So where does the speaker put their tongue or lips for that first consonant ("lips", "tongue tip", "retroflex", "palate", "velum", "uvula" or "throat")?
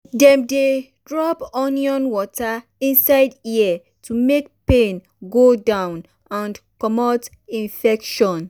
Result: tongue tip